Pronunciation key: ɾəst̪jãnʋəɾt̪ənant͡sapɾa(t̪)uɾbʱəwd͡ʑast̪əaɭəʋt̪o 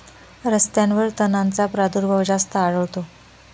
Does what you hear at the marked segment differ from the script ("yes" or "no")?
yes